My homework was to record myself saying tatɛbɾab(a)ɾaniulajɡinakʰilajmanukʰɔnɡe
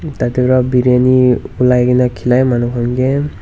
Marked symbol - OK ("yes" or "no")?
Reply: no